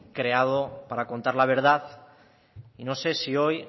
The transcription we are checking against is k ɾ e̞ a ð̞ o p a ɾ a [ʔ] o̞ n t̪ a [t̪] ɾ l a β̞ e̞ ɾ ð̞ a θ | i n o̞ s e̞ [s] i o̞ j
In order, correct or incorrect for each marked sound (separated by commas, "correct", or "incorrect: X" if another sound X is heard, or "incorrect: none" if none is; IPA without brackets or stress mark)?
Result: incorrect: k, incorrect: none, correct